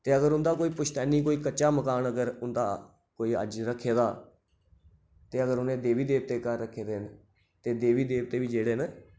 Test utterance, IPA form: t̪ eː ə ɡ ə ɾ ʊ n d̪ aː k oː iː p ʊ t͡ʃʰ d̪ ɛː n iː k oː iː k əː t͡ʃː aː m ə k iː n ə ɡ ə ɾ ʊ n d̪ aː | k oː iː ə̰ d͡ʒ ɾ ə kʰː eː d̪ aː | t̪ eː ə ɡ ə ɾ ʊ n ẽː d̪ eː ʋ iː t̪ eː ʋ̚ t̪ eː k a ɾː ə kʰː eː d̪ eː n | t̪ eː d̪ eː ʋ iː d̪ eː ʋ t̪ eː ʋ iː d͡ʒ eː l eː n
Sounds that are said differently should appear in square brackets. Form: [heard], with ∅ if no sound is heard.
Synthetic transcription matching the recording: t̪ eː ə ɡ ə ɾ ʊ n d̪ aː k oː iː p ʊ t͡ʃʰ [t̪] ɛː n iː k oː iː k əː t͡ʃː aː m ə k [aː] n ə ɡ ə ɾ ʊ n d̪ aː | k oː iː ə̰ d͡ʒ ɾ ə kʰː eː d̪ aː | t̪ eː ə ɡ ə ɾ ʊ n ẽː d̪ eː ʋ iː [d̪] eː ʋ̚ t̪ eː k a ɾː ə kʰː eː d̪ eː n | t̪ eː d̪ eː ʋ iː d̪ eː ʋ t̪ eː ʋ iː d͡ʒ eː [ɽ] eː n